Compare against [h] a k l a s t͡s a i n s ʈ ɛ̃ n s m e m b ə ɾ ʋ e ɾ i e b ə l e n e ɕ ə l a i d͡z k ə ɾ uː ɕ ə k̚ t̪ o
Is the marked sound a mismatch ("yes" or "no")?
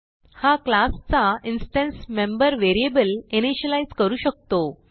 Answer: no